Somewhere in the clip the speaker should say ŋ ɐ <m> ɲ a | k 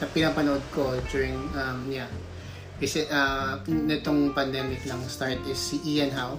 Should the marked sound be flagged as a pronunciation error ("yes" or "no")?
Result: no